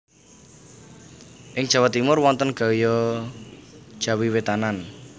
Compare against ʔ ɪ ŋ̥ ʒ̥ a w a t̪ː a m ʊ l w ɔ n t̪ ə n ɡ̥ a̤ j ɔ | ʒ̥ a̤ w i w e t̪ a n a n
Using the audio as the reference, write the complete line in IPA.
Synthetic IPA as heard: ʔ ɪ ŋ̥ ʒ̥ a w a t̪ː i m ʊ r w ɔ n t̪ ə n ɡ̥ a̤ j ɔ | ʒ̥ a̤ w i w e t̪ a n a n